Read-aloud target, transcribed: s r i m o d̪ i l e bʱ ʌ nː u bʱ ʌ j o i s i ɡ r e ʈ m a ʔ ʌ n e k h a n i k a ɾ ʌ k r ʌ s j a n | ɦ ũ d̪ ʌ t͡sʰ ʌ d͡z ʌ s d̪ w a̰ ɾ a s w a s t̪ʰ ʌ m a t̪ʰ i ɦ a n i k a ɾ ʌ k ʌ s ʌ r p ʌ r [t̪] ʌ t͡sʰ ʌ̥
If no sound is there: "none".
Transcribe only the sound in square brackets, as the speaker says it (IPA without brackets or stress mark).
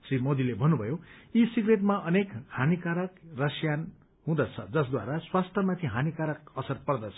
d̪